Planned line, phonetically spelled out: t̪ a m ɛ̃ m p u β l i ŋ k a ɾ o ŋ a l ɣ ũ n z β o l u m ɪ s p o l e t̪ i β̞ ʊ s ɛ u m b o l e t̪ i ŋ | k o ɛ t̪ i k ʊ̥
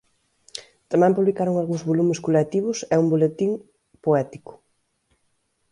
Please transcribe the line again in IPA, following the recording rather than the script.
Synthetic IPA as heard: t̪ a m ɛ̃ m p u β l i k a ɾ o ŋ a l ɣ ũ ŋ z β o l u m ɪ s k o l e t̪ i β̞ ʊ s ɛ u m b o l e t̪ i ŋ | p o ɛ t̪ i k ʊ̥